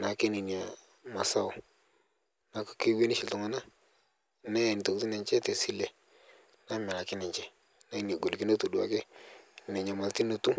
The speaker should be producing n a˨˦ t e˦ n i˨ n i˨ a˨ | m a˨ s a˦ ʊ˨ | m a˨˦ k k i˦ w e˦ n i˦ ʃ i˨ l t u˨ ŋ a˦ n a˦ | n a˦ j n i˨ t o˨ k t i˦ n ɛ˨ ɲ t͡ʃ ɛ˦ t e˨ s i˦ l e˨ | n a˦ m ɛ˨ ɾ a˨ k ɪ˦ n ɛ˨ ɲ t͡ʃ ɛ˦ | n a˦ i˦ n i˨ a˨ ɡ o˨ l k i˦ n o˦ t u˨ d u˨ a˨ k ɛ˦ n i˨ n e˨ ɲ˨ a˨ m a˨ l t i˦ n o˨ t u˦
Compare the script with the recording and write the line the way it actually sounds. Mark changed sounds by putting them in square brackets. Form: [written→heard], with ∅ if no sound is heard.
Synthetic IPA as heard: n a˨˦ [t→k] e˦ n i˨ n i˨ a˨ | m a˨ s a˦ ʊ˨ | [m→n] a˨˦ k k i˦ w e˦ n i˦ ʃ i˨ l t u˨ ŋ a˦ n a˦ | n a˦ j n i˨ t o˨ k t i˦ n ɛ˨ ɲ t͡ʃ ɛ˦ t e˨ s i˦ l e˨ | n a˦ m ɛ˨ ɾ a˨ k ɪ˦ n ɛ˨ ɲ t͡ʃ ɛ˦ | n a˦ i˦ n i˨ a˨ ɡ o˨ l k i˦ n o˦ t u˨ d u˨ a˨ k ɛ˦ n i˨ n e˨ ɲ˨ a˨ m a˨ l t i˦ n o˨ t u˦